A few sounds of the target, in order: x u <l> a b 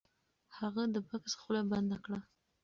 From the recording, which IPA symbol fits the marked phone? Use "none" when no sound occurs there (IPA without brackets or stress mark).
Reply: l